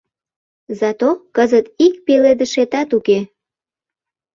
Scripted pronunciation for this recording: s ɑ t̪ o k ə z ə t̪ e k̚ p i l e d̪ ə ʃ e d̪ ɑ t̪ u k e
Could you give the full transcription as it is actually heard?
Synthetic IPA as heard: z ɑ t̪ o k ə z ə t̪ i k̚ p e l e d̪ ə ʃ e t̪ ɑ t̪ u k e